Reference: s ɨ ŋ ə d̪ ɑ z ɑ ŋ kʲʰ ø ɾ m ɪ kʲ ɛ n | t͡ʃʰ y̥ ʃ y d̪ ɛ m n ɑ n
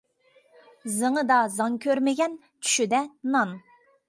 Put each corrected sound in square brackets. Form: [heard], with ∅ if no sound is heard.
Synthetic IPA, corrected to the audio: [z] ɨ ŋ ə d̪ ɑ z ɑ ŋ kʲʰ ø ɾ m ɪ [ɡʲ] ɛ n | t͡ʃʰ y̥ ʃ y d̪ ɛ [∅] n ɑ n